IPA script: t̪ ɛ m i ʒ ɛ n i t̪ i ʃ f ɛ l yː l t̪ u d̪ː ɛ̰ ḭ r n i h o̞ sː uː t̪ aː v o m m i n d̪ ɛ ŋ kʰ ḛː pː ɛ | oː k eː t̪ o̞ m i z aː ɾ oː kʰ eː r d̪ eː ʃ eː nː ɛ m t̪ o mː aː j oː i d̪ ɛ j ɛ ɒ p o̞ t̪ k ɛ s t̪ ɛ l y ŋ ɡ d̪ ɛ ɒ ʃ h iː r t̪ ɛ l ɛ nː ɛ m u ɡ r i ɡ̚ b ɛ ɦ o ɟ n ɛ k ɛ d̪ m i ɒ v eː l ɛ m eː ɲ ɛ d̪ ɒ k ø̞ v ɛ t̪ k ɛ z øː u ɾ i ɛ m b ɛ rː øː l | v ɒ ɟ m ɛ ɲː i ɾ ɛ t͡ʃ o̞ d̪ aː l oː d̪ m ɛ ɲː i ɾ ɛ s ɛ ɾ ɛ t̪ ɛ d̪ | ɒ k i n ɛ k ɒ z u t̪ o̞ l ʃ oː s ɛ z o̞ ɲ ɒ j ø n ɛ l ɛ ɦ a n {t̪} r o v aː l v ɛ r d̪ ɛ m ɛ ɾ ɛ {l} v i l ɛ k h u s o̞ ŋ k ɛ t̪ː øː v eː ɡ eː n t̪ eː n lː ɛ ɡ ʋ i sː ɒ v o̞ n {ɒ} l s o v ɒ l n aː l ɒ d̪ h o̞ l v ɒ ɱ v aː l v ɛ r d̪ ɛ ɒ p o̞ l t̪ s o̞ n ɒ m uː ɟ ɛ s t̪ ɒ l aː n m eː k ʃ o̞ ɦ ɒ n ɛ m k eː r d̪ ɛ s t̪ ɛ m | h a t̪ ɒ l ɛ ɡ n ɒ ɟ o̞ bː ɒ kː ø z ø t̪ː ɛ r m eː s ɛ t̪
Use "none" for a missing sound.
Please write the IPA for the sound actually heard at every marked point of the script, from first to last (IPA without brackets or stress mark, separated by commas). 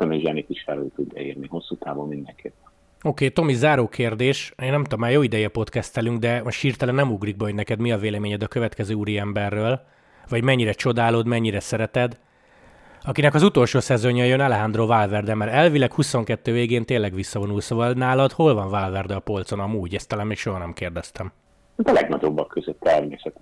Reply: d̪, l, u